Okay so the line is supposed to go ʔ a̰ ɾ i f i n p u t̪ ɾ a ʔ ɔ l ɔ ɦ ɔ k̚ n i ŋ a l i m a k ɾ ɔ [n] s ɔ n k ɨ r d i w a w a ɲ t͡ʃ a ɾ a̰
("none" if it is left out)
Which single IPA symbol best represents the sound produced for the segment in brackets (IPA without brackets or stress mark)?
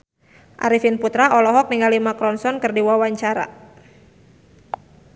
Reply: n